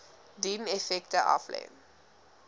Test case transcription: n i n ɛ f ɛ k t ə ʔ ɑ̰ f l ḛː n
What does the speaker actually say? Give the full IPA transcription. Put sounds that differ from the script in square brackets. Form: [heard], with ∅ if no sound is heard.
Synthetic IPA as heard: [d] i [m] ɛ f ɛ k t ə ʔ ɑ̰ f l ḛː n